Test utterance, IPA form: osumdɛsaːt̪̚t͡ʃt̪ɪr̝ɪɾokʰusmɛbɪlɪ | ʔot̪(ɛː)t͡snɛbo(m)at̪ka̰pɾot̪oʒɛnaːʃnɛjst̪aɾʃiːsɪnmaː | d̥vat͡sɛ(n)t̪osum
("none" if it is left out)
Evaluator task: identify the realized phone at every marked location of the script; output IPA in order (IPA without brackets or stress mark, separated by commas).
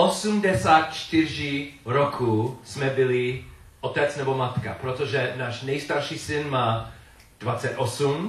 ɛ, m, none